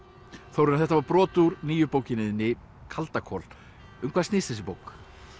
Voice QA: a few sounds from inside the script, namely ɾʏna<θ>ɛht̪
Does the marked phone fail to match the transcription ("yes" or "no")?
no